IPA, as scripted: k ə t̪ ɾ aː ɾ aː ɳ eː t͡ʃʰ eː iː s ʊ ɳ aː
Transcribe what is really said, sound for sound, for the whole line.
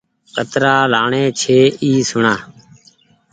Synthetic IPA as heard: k ə t̪ ɾ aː l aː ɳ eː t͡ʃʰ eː iː s ʊ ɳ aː